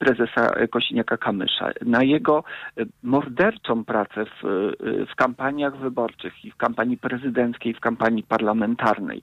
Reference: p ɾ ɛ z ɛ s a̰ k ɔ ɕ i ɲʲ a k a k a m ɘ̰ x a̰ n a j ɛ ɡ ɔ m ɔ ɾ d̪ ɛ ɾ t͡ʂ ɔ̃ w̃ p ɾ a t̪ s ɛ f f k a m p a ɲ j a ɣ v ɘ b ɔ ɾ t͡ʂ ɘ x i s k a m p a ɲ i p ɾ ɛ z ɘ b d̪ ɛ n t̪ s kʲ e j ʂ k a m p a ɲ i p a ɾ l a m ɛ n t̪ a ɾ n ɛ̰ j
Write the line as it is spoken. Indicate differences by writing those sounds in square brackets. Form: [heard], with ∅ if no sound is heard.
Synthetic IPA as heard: p ɾ ɛ z ɛ s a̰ k ɔ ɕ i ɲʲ a k a k a m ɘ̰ [ʂ] a̰ n a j ɛ ɡ ɔ m ɔ ɾ d̪ ɛ ɾ t͡ʂ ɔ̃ w̃ p ɾ a t̪ s ɛ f f k a m p a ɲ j a ɣ v ɘ b ɔ ɾ t͡ʂ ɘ x i [f] k a m p a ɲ i p ɾ ɛ z ɘ [∅] d̪ ɛ n t̪ s kʲ e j [f] k a m p a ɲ i p a ɾ l a m ɛ n t̪ a ɾ n ɛ̰ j